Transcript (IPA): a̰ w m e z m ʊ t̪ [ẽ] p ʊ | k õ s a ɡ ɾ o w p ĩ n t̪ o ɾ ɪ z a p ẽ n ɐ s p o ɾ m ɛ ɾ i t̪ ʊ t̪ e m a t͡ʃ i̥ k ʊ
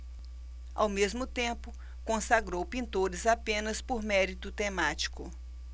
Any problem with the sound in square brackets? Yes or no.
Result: no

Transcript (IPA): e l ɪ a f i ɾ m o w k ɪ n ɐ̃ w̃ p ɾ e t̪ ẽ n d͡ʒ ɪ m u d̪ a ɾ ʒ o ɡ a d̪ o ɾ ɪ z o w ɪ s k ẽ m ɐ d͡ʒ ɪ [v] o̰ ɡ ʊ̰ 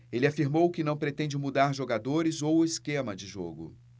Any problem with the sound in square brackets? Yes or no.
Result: yes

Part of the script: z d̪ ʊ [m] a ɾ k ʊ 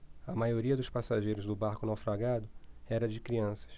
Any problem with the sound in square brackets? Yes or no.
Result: yes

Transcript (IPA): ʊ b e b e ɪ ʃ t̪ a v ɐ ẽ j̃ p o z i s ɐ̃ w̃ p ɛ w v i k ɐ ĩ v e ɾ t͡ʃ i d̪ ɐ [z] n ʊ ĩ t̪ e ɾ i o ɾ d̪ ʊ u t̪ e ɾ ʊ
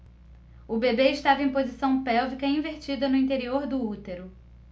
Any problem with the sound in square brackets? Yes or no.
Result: yes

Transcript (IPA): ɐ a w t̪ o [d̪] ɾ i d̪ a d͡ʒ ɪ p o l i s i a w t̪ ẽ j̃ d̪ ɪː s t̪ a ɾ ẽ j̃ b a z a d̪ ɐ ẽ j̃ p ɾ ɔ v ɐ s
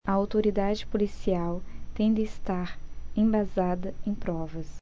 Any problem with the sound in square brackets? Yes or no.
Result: yes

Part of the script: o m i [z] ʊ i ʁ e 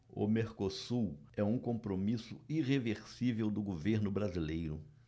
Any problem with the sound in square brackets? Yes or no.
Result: yes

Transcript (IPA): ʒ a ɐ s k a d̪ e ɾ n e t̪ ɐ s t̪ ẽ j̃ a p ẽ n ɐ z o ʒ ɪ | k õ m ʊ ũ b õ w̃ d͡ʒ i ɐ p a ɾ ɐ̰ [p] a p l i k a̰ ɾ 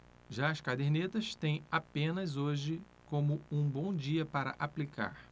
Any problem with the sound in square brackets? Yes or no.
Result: yes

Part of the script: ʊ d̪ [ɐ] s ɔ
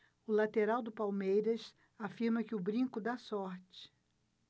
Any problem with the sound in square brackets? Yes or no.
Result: yes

